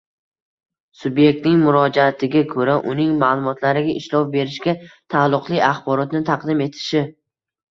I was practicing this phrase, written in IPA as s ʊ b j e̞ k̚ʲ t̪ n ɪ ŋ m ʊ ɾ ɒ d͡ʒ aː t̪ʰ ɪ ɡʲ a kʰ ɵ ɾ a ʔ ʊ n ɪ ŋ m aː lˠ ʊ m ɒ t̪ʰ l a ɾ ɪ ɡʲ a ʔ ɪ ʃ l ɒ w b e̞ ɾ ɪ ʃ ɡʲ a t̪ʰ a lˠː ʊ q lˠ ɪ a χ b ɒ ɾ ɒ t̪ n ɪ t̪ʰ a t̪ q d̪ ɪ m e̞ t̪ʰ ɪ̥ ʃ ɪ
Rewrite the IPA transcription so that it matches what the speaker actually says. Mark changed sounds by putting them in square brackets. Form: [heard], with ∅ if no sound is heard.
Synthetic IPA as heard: s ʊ b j e̞ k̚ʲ t̪ n ɪ ŋ m ʊ ɾ ɒ d͡ʒ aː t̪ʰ ɪ ɡʲ a kʰ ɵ ɾ a ʔ ʊ n ɪ ŋ m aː lˠ ʊ m ɒ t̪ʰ l a ɾ ɪ ɡʲ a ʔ ɪ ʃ l ɒ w b e̞ ɾ ɪ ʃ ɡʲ a t̪ʰ a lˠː ʊ q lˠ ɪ a χ b ɒ ɾ ɒ t̪ n ɪ t̪ʰ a [∅] q d̪ ɪ m e̞ t̪ʰ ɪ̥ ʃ ɪ

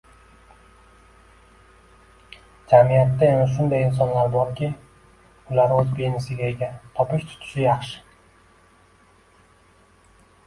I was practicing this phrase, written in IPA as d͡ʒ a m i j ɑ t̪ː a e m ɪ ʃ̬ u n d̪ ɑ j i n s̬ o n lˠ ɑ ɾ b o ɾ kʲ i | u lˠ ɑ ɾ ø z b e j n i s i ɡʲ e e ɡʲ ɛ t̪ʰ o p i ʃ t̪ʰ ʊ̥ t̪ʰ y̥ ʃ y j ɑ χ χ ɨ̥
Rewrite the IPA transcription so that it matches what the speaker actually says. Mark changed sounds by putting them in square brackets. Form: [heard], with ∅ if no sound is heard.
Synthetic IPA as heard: d͡ʒ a m i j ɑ t̪ː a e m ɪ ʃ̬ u n d̪ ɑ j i n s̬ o n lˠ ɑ ɾ b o ɾ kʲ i | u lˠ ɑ ɾ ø z b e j n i s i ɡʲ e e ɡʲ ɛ t̪ʰ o p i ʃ t̪ʰ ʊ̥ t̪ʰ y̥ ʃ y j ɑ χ [ʃ] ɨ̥

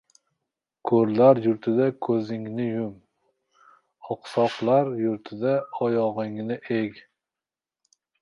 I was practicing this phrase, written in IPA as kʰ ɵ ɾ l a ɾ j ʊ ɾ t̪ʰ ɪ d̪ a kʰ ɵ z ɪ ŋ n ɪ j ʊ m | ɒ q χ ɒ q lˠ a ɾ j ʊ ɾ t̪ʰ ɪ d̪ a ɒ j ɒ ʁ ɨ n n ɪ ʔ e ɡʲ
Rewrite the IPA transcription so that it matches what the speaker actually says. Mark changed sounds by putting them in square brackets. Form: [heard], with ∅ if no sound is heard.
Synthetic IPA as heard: kʰ ɵ ɾ l a ɾ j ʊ ɾ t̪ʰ ɪ d̪ a kʰ ɵ z ɪ ŋ n ɪ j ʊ m | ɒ q [s] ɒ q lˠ a ɾ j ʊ ɾ t̪ʰ ɪ d̪ a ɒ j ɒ ʁ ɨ [ŋ] n ɪ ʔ e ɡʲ

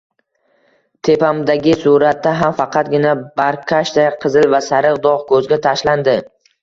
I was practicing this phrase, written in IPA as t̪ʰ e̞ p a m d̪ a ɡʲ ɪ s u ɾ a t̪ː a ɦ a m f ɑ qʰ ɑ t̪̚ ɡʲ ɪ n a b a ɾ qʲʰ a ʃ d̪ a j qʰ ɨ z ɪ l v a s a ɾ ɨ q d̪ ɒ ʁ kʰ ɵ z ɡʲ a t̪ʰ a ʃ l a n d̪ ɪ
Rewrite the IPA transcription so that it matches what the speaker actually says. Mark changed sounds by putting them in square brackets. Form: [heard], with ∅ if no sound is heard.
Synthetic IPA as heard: t̪ʰ e̞ p a m d̪ a ɡʲ ɪ s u ɾ a t̪ː a ɦ a m f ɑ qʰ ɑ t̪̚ ɡʲ ɪ n a b a ɾ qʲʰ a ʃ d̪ a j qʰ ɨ z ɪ l v a s a ɾ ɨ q d̪ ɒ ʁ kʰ ɵ z ɡʲ a t̪ʰ a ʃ l a n d̪ ɪ

